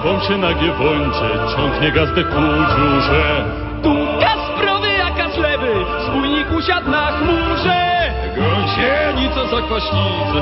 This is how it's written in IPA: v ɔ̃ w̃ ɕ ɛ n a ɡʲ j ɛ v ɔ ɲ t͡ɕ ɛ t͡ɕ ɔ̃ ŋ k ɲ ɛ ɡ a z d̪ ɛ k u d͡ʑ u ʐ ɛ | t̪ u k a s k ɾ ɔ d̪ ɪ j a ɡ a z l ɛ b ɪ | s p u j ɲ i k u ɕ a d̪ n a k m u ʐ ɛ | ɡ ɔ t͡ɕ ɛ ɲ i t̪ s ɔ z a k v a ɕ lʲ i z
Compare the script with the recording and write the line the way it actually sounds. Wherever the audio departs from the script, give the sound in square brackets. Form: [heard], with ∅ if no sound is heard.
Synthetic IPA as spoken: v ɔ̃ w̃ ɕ ɛ n a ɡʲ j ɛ v ɔ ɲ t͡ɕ ɛ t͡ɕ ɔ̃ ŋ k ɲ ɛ ɡ a z d̪ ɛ k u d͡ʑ u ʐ ɛ | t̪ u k a s [p] ɾ ɔ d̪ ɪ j a [k] a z l ɛ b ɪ | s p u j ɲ i k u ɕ a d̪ n a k m u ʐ ɛ | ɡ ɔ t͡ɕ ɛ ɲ i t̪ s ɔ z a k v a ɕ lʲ i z